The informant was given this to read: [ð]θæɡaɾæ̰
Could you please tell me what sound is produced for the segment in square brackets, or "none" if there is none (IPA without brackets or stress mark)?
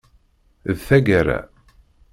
ð